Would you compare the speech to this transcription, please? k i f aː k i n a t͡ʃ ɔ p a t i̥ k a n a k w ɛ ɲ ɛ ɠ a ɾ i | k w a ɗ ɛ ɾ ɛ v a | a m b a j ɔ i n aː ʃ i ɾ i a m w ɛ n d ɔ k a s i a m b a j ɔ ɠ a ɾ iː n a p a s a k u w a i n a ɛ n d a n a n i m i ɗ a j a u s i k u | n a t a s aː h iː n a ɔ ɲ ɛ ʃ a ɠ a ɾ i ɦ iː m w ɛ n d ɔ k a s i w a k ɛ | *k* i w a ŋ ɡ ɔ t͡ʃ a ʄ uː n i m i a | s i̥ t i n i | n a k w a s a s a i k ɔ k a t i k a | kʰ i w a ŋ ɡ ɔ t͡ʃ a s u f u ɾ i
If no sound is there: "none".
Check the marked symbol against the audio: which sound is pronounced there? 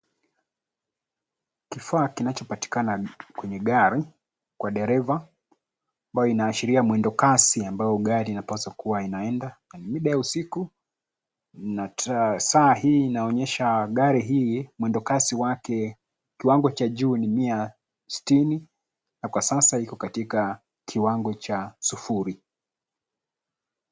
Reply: k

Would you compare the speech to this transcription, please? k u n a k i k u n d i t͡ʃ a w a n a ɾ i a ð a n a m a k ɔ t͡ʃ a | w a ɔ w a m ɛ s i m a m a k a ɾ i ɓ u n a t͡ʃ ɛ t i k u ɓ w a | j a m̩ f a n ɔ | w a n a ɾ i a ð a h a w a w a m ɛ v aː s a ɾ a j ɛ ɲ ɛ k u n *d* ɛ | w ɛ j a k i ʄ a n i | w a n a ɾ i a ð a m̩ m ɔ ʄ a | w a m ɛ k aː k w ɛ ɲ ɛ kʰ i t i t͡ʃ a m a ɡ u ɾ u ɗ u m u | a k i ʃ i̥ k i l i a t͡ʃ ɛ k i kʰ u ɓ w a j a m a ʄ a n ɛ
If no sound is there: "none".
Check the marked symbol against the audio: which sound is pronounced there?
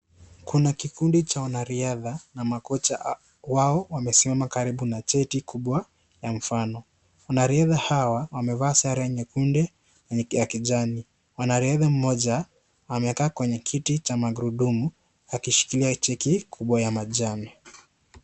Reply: d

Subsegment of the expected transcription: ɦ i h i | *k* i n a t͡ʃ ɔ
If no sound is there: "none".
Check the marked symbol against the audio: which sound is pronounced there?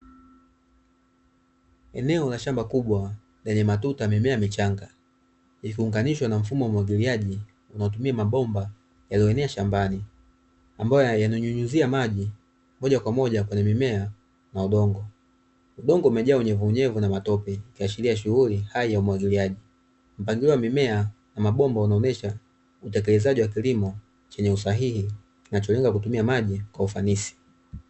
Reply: k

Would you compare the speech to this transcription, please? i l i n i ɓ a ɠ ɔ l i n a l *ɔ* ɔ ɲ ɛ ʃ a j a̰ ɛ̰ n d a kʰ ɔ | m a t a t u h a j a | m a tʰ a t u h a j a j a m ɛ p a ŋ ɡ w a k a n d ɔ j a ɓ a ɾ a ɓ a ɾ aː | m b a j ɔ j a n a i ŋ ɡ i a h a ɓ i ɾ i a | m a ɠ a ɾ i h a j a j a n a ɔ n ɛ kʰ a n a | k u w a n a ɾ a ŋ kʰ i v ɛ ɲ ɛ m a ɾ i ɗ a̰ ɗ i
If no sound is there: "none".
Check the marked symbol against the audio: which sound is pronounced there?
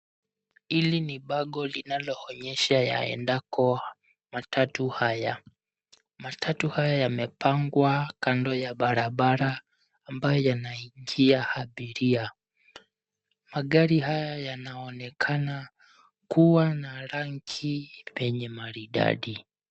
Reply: ɔ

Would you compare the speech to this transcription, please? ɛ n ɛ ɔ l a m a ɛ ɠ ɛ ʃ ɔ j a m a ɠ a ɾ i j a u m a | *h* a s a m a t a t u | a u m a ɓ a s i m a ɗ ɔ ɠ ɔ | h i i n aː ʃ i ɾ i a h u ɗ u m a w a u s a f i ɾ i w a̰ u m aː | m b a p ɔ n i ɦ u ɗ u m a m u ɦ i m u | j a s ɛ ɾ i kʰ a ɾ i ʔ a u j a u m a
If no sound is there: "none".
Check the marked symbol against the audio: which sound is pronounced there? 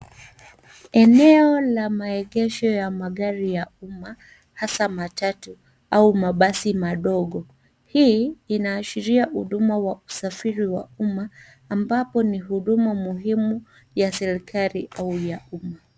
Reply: h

